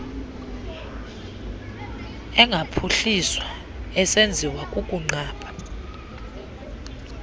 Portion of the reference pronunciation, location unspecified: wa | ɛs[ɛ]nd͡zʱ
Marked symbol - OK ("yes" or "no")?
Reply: no